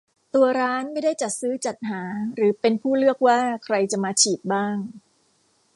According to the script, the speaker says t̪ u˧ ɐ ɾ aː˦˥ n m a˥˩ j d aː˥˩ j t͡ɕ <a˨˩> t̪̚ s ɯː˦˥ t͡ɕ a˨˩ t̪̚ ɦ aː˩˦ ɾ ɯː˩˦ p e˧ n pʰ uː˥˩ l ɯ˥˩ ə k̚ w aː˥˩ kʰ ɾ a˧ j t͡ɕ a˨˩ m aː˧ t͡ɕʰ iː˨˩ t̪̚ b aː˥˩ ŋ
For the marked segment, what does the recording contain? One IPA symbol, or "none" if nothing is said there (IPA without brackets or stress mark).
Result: a˨˩